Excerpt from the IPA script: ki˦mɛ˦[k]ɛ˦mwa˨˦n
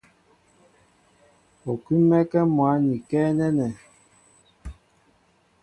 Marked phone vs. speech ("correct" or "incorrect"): correct